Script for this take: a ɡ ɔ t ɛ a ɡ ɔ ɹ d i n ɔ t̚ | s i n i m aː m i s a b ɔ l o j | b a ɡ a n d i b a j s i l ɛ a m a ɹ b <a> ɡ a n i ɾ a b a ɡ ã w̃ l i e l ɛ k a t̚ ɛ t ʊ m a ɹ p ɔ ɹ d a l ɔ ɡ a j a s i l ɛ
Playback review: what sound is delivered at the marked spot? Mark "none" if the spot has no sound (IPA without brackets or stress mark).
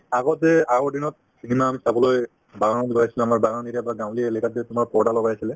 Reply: a